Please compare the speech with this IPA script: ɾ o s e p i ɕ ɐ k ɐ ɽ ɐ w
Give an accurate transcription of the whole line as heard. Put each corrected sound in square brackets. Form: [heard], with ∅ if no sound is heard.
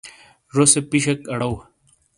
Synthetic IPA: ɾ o s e p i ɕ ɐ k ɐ ɽ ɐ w

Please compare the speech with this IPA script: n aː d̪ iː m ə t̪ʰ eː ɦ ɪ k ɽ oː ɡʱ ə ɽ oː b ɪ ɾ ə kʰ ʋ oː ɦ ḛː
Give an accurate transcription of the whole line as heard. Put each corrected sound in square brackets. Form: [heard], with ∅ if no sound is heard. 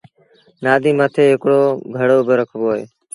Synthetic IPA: n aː d̪ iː m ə t̪ʰ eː ɦ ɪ k ɽ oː ɡʱ ə ɽ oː b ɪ ɾ ə kʰ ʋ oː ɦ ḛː

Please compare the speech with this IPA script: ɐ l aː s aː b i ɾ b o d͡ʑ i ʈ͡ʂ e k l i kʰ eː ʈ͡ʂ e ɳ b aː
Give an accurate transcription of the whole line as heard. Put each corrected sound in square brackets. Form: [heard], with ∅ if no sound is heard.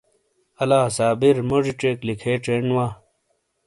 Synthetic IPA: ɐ l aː s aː b i ɾ [m] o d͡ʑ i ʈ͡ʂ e k l i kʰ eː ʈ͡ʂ e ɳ [w] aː

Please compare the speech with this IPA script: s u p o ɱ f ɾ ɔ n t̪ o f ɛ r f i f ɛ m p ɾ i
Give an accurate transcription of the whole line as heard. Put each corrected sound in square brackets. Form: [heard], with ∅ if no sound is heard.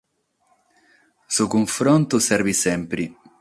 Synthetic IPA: s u [k] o ɱ f ɾ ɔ n t̪ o [s] ɛ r [v] i [s] ɛ m p ɾ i

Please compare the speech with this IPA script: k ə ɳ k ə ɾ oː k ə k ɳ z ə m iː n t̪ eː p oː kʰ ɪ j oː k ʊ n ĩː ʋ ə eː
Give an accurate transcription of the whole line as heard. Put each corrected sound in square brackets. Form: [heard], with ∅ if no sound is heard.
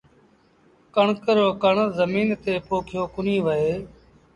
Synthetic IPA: k ə ɳ k ə ɾ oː k ə [∅] ɳ z ə m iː n t̪ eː p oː kʰ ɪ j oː k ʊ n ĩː ʋ ə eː

